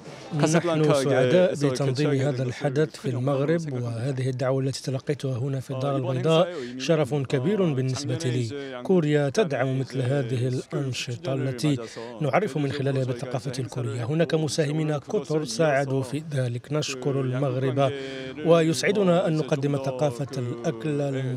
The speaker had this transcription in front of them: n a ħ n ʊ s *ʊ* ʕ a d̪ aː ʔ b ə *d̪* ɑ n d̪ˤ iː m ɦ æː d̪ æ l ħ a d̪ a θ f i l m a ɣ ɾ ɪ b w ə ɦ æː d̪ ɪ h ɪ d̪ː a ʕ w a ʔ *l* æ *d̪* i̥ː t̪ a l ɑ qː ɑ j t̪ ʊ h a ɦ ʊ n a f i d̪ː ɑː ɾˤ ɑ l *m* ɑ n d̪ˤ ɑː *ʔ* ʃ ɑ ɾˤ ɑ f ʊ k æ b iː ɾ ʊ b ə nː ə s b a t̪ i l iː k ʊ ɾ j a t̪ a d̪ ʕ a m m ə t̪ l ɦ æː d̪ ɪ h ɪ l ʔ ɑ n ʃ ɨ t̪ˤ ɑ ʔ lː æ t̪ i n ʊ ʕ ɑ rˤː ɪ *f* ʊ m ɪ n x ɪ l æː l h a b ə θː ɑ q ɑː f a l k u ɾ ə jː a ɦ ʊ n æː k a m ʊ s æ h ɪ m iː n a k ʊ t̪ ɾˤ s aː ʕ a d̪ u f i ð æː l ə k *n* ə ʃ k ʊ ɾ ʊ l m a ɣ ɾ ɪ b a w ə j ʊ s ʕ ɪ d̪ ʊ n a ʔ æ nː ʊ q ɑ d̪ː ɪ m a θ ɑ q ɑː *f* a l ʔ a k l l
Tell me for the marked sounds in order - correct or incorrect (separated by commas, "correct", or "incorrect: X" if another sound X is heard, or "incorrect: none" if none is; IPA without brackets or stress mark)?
correct, incorrect: t̪, incorrect: lː, incorrect: t̪, incorrect: b, correct, correct, correct, correct